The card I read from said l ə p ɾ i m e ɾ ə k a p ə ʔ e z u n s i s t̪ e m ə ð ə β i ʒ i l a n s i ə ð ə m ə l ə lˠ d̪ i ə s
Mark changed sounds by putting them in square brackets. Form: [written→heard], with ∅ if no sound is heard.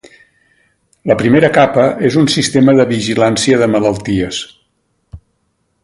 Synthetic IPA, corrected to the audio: l ə p ɾ i m e ɾ ə k a p ə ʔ e z u n s i s t̪ e m ə ð ə β i ʒ i l a n s i ə ð ə m ə l ə lˠ [d̪→t̪] i ə s

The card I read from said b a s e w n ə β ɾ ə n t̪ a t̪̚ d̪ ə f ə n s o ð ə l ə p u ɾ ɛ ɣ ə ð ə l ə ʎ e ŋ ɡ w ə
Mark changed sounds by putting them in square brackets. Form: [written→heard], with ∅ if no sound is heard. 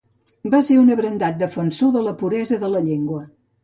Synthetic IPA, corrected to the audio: b a s e [w→u] n ə β ɾ ə n [t̪→d̪] a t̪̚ d̪ ə f ə n s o ð ə l ə p u ɾ ɛ [ɣ→z] ə ð ə l ə ʎ e ŋ ɡ w ə

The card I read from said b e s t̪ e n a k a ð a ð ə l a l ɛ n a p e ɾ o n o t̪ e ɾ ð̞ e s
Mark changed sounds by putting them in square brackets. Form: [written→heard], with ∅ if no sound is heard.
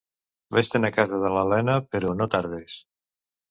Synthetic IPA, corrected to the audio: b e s t̪ e n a k a [ð→z] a ð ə l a l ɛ n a p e ɾ o n o t̪ [e→a] ɾ ð̞ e s

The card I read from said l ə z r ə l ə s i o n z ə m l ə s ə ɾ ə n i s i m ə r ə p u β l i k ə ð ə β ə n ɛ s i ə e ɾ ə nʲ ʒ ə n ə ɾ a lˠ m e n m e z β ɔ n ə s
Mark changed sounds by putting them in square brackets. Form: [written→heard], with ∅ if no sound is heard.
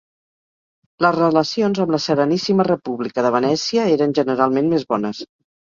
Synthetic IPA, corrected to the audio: l ə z r ə l ə s i o n z ə m l ə s ə ɾ ə n i s i m ə r ə p u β l i k ə ð ə β ə n ɛ s i ə e ɾ ə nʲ ʒ ə n ə ɾ a lˠ m e n m e z β ɔ n ə s

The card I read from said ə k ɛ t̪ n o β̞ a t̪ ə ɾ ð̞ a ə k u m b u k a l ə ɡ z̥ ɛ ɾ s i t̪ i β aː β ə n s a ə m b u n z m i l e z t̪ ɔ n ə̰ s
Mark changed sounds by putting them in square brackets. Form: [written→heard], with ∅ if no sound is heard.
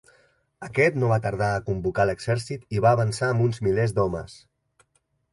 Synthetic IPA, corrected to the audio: ə k ɛ t̪ n o β̞ a t̪ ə ɾ ð̞ a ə k u m b u k a l ə ɡ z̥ ɛ ɾ s i t̪ i β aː β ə n s a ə m b u n z m i l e z [t̪→d̪] ɔ [n→m] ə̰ s

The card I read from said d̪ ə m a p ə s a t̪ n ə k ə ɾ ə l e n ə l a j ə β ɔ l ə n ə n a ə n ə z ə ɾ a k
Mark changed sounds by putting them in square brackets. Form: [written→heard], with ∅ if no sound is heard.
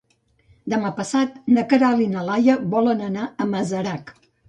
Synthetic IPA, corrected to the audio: d̪ ə m a p ə s a t̪ n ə k ə ɾ [ə→a] l [e→i] n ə l a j ə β ɔ l ə n ə n a ə [n→m] ə z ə ɾ a k

